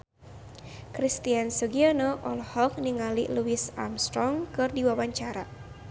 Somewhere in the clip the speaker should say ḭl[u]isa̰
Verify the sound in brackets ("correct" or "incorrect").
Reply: correct